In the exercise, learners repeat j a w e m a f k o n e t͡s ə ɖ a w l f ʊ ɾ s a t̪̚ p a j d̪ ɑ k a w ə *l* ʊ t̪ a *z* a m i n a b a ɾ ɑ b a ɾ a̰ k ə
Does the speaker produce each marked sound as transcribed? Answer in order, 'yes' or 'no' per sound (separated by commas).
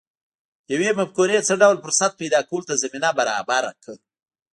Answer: yes, yes